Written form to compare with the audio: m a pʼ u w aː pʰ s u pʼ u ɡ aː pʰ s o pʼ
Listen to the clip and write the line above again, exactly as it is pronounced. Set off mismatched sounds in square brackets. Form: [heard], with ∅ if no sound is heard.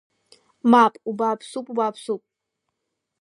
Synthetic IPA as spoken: m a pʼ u [b] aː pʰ s u pʼ u [b] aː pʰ s [u] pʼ